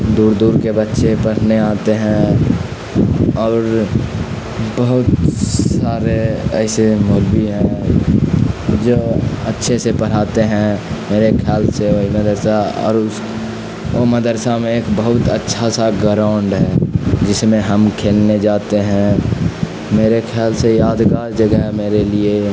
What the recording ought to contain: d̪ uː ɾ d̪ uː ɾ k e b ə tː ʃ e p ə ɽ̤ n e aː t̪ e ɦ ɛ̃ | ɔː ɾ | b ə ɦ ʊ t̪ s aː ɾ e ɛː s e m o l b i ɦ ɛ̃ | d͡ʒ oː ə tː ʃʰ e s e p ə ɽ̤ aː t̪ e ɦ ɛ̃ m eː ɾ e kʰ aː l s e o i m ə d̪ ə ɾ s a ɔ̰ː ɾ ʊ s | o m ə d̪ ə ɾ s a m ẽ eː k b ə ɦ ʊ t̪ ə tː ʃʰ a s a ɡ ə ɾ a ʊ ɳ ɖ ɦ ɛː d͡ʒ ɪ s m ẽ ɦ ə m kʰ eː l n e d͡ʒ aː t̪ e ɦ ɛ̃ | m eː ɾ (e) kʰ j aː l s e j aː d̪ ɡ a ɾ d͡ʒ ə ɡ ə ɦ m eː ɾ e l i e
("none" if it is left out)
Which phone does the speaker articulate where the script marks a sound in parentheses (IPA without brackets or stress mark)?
e